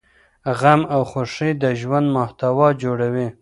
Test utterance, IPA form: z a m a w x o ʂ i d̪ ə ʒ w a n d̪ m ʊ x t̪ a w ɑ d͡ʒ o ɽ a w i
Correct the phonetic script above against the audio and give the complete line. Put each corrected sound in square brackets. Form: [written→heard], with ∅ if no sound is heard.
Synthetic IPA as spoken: [z→ɣ] a m a w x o ʂ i d̪ ə ʒ w a n d̪ m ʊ [x→h] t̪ a w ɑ d͡ʒ o ɽ a w i